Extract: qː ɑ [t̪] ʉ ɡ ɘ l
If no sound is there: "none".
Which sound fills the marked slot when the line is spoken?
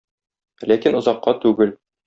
t̪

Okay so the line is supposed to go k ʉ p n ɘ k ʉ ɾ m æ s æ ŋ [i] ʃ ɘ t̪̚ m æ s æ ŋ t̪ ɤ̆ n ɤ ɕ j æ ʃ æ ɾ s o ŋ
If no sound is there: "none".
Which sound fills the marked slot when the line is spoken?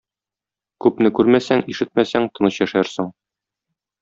i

